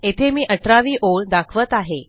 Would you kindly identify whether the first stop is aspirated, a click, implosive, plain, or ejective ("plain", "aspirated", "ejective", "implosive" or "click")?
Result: aspirated